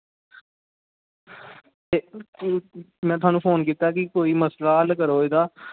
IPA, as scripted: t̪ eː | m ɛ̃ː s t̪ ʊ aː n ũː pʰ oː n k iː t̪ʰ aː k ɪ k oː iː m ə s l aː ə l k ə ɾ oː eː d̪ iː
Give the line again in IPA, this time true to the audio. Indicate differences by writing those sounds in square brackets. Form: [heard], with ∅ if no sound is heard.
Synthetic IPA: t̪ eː | m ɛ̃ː [∅] t̪ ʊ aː n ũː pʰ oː n k iː [t̪] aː k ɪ k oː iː m ə s l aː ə l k ə ɾ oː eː d̪ [aː]